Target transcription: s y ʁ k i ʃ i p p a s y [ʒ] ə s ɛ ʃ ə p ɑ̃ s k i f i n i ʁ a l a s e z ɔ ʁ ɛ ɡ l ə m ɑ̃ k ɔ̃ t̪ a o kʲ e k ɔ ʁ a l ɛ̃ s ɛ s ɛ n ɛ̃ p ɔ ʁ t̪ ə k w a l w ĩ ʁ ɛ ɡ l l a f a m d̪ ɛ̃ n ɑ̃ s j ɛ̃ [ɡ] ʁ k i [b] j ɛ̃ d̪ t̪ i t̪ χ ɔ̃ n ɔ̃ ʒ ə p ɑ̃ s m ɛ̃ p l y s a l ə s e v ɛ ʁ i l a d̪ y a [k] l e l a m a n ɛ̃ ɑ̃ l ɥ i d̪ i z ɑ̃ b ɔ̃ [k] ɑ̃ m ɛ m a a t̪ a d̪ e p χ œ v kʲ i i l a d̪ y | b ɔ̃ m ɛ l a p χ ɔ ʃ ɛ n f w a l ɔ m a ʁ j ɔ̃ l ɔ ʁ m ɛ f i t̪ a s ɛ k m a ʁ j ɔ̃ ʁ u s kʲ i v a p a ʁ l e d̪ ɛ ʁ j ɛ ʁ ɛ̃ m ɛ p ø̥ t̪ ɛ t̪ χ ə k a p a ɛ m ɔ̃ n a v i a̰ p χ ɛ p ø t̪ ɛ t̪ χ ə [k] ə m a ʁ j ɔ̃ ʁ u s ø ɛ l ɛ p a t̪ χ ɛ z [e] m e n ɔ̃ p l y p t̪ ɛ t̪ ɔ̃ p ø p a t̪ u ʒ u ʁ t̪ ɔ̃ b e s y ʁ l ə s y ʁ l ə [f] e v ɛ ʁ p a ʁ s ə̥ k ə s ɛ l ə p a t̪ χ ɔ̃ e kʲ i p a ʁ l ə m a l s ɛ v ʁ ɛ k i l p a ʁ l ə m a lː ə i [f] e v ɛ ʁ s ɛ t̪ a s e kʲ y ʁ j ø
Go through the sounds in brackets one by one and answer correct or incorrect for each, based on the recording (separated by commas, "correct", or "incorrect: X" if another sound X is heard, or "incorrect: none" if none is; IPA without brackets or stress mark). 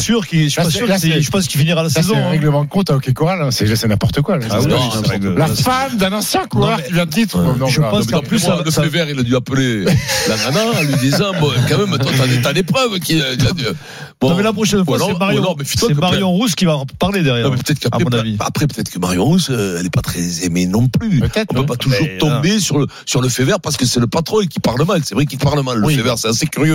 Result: incorrect: ʁ, incorrect: k, incorrect: v, incorrect: p, correct, correct, correct, correct, correct